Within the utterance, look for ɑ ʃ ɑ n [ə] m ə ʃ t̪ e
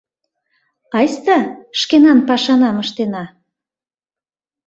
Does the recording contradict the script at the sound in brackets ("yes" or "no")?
yes